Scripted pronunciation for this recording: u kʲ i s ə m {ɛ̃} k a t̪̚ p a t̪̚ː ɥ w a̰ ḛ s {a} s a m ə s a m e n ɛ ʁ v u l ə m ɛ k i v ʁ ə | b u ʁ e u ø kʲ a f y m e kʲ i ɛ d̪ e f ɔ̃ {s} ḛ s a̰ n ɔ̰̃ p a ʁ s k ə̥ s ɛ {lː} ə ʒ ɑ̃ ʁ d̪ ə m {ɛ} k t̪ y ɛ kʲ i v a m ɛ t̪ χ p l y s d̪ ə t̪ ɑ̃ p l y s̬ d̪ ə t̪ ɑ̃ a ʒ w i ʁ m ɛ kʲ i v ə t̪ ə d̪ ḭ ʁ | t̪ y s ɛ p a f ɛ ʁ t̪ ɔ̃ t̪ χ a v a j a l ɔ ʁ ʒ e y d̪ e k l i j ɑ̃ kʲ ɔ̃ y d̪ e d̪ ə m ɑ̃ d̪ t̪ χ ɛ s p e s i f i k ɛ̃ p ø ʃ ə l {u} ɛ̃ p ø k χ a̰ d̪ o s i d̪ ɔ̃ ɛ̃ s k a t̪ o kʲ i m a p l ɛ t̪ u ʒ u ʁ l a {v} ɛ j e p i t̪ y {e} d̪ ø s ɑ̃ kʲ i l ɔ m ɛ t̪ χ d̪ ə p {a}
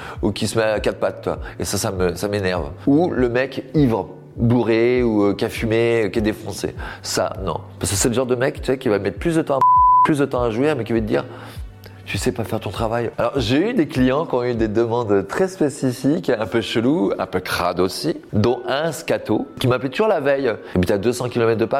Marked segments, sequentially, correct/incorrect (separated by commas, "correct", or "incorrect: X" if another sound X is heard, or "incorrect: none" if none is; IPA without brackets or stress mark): incorrect: ɛ, correct, correct, incorrect: l, correct, correct, correct, incorrect: a, correct